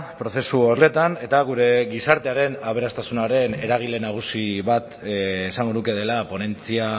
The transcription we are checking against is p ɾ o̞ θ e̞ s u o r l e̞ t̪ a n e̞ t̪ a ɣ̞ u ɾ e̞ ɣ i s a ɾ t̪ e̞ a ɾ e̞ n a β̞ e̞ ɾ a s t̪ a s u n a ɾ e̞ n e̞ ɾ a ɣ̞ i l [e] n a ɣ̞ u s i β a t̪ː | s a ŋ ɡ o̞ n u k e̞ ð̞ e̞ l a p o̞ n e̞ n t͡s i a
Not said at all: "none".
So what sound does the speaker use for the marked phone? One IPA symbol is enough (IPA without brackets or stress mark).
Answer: e